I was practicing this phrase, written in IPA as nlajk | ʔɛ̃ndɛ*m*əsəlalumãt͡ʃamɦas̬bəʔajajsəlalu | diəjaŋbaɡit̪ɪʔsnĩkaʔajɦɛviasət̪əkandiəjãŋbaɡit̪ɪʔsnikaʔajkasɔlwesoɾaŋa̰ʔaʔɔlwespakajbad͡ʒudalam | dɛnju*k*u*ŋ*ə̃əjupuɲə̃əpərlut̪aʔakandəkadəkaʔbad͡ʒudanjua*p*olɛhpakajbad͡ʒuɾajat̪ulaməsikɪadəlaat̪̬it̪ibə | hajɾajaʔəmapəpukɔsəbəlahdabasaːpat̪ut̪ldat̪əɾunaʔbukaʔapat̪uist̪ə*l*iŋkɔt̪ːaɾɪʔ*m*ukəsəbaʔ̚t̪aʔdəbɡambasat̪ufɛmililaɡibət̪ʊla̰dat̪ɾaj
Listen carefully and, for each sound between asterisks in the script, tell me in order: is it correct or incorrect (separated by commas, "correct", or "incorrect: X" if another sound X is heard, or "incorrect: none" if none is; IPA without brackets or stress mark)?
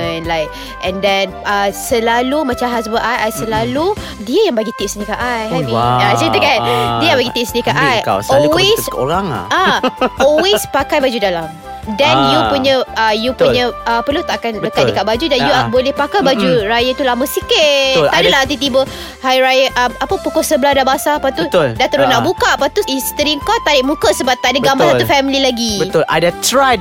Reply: incorrect: n, incorrect: p, incorrect: ɲ, incorrect: b, incorrect: ɾ, correct